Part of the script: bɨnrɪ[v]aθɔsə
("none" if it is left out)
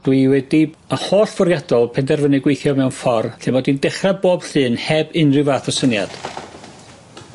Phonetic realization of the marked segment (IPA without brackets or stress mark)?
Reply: v